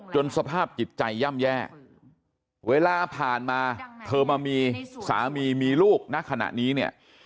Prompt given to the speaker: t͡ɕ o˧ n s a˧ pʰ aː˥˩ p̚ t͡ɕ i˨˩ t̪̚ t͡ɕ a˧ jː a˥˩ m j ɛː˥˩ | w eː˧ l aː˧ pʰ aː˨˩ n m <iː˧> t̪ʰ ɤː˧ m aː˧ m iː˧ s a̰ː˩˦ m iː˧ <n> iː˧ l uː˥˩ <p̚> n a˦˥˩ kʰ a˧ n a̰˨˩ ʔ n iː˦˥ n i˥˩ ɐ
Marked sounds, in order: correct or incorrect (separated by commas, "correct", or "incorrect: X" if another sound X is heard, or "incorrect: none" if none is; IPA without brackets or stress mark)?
incorrect: aː˧, incorrect: m, incorrect: k̚